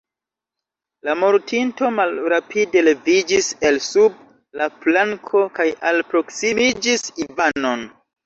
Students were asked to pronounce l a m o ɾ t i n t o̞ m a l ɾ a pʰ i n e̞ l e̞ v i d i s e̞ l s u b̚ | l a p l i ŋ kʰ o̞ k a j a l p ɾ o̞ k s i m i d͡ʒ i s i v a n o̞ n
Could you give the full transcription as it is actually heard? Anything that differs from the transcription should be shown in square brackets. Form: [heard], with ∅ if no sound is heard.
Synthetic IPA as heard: l a m o ɾ t i n t o̞ m a l ɾ a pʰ i [d] e̞ l e̞ v i [d͡ʒ] i s e̞ l s u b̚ | l a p l [a] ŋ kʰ o̞ k a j a l p ɾ o̞ k s i m i d͡ʒ i s i v a n o̞ n